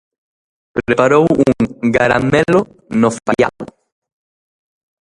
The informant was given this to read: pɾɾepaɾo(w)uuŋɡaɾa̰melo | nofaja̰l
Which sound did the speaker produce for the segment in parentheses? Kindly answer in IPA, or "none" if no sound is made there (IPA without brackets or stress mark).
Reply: w